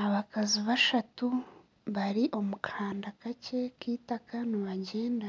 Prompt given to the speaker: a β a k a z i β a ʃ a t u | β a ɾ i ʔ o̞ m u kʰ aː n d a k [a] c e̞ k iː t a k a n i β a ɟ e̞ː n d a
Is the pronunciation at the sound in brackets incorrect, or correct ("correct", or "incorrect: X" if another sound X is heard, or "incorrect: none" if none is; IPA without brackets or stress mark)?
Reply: correct